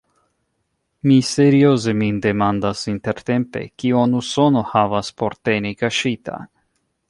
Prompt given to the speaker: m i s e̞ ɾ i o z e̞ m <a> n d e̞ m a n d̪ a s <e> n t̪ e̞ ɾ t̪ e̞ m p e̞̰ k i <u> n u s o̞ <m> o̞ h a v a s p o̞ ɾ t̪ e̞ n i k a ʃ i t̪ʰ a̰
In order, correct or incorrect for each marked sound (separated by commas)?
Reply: incorrect, incorrect, incorrect, incorrect